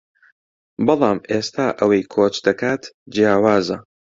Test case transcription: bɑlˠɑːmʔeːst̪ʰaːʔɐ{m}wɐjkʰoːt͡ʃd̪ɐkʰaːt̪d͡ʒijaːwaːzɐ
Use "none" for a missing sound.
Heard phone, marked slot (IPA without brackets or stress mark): none